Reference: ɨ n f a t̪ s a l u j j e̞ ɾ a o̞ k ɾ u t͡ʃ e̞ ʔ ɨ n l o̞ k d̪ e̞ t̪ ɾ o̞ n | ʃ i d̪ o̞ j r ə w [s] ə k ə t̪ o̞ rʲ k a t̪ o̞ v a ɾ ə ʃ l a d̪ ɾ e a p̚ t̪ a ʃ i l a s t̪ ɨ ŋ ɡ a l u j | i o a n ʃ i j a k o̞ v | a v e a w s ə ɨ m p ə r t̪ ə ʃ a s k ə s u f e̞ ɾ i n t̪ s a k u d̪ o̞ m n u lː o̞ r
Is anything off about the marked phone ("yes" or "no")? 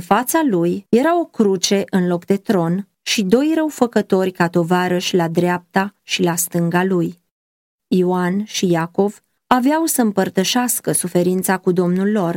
yes